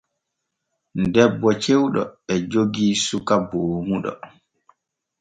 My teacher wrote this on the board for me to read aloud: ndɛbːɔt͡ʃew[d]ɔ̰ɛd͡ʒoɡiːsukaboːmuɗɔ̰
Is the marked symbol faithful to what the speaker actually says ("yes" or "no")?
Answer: no